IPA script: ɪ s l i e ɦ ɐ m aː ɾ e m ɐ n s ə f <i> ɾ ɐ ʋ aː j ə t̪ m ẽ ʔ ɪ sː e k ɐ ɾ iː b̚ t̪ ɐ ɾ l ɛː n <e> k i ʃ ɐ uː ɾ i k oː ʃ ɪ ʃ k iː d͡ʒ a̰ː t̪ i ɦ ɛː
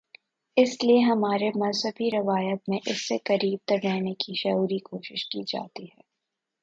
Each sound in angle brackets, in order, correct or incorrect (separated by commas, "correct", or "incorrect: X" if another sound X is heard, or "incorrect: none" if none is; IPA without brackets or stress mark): correct, correct